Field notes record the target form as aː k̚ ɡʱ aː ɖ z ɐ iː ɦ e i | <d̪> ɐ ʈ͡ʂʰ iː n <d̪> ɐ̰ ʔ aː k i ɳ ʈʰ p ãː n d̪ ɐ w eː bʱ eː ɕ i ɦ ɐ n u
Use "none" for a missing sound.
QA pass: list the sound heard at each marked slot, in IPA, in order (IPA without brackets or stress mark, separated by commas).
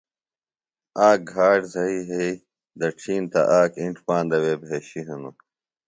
d̪, t̪